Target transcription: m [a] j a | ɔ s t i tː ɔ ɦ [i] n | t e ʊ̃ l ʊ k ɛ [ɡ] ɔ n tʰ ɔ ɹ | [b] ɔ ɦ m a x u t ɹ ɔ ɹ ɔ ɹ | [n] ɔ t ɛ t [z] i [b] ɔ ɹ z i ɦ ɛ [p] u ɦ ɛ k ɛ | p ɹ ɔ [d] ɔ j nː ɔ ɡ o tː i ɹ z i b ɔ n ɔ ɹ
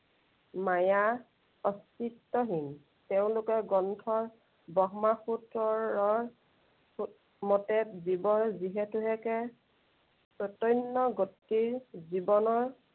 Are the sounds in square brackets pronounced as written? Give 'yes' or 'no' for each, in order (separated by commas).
yes, yes, yes, yes, no, yes, yes, no, no